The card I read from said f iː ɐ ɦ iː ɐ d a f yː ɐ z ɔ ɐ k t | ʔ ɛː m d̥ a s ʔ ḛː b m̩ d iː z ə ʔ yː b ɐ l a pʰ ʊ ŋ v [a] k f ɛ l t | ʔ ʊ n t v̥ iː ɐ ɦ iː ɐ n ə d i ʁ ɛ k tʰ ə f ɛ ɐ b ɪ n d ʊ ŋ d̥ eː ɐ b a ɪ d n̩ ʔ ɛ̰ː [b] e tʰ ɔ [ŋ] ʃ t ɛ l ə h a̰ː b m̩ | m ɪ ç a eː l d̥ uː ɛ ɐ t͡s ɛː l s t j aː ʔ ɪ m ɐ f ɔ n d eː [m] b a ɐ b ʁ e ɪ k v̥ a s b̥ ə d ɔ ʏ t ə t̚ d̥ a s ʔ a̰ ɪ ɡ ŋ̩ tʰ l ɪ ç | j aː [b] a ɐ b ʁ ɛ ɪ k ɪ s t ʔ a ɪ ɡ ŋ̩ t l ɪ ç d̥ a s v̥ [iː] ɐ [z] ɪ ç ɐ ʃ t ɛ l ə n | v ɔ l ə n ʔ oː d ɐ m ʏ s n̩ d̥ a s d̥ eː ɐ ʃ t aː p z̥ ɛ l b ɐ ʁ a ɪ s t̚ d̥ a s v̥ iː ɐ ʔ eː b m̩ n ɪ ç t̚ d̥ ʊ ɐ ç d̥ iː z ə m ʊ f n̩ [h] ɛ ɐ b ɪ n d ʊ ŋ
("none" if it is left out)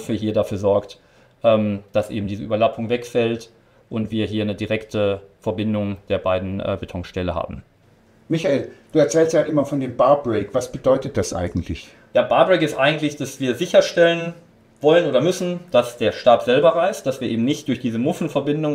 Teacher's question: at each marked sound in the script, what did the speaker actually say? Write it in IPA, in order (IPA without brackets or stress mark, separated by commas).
ɛ, b, ŋ, m, b, iː, z, f